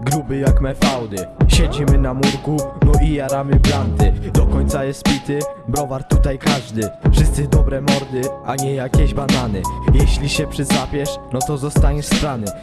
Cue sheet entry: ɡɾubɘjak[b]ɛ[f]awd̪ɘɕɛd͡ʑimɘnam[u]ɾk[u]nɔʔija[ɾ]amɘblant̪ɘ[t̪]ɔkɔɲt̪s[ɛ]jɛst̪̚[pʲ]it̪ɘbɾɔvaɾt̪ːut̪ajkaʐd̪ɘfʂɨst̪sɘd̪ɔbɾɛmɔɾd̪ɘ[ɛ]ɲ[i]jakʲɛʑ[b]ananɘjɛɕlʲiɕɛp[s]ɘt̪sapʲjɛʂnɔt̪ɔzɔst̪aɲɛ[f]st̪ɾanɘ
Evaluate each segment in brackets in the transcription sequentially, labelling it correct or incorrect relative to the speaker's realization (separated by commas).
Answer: incorrect, correct, correct, correct, correct, incorrect, incorrect, correct, incorrect, incorrect, correct, incorrect, incorrect